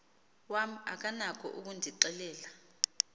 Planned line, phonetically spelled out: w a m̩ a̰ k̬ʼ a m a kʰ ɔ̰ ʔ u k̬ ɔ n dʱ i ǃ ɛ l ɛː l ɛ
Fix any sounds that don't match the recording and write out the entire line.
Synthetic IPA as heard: w a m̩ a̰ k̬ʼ a n a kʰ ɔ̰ ʔ u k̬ u n dʱ i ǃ ɛ l ɛː l a

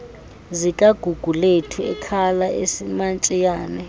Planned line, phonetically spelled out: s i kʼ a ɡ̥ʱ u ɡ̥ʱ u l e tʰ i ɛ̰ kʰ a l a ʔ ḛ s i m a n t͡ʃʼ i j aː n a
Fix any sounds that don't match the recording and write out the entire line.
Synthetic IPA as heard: z i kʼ a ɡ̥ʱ u ɡ̥ʱ u l e tʰ i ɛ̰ kʰ a l a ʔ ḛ s i m a n t͡ʃʼ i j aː n ɛ

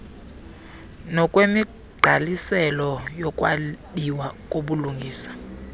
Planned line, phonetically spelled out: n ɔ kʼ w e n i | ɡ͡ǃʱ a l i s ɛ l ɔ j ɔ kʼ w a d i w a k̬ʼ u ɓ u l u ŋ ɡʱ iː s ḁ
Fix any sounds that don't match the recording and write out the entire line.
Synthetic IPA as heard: n ɔ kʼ w e m i | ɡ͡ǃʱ a l i s ɛ l ɔ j ɔ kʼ w a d i w a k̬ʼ o ɓ u l u ŋ ɡʱ iː s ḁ

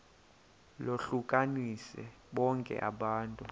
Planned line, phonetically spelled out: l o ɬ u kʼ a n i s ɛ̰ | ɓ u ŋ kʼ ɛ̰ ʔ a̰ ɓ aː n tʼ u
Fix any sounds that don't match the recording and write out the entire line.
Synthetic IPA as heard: l o ɬ u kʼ a n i s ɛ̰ | ɓ ɔ ŋ kʼ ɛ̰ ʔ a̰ ɓ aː n tʼ u

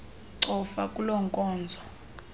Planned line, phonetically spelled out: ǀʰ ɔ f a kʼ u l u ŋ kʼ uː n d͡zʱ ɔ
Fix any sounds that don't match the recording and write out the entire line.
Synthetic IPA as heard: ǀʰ ɔ f a kʼ u l ɔ ŋ kʼ ɔː n d͡zʱ ɔ

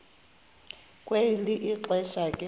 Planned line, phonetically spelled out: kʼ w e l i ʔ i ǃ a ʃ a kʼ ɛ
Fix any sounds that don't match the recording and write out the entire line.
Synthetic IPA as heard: kʼ w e l i ʔ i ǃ ɛ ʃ a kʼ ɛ

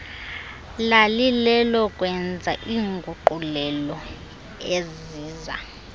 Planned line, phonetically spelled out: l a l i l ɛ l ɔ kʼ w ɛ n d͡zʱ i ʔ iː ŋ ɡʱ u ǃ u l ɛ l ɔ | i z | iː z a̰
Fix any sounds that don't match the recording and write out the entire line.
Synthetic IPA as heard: l a l i l ɛ l ɔ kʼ w ɛ n d͡zʱ a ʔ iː ŋ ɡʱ u ǃ u l ɛ l ɔ | e z | iː z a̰

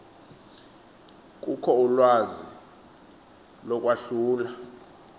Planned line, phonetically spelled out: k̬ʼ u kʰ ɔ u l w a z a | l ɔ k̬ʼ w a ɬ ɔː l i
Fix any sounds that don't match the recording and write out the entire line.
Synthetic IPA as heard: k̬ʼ u kʰ ɔ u l w a z i | l ɔ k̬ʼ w a ɬ uː l a

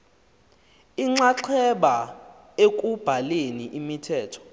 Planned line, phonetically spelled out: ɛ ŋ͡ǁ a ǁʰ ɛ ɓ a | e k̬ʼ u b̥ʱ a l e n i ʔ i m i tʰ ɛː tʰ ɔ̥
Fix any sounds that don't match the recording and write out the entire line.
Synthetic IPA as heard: i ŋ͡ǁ a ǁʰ ɛ ɓ a | e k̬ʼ u b̥ʱ a l e n i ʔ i m i tʰ ɛː tʰ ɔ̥

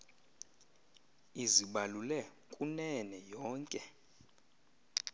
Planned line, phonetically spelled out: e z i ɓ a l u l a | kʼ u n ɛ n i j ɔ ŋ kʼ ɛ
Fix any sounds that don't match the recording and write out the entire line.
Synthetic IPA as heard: i z i ɓ a l u l ɛ | kʼ u n ɛ n ɛ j ɔː ŋ kʼ ɛ

